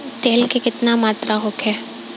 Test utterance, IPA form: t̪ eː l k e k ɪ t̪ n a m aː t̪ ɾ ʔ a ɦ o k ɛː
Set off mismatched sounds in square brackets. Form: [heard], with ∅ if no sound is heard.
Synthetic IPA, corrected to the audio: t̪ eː l k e k ɪ t̪ n a m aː t̪ ɾ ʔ a ɦ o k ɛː

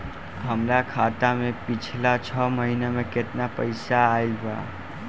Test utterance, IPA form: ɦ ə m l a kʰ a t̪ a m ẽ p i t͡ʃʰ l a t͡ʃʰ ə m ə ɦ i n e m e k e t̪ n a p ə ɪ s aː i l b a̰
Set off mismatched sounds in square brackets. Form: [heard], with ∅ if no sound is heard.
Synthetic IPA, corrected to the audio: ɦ ə m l a kʰ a t̪ a m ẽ p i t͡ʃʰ l a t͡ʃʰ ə m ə ɦ i n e m e k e t̪ n a p ə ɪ s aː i l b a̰

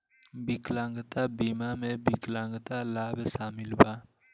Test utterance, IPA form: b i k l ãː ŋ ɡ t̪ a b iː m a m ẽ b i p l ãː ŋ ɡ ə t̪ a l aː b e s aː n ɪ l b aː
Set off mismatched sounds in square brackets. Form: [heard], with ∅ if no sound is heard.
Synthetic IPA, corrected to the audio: b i k l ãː ŋ ɡ t̪ a b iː m a m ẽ b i [k] l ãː ŋ ɡ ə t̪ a l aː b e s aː [m] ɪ l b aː

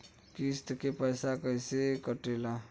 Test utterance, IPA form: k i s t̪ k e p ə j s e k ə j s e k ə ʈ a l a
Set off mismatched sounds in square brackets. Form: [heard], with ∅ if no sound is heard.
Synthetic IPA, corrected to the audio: k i s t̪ k e p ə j s [a] k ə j s e k ə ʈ [e] l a

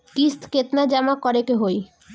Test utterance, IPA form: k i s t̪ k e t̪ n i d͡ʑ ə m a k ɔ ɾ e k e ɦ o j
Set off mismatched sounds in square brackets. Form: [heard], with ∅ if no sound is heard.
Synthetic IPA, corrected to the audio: k i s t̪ k e t̪ n [a] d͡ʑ [a] m a k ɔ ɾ e k e ɦ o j

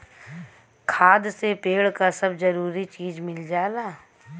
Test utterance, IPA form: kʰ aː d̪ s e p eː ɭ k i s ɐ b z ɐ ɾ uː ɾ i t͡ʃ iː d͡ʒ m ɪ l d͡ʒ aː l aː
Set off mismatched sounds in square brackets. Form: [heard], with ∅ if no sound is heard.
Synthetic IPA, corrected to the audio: kʰ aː d̪ s e p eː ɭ k [a] s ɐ b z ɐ ɾ uː ɾ i t͡ʃ iː d͡ʒ m ɪ l d͡ʒ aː l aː

